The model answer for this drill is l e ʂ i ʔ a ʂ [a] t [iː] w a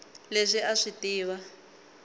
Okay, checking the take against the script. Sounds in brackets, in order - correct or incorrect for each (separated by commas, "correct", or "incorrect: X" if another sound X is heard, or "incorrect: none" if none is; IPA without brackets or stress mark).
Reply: incorrect: i, correct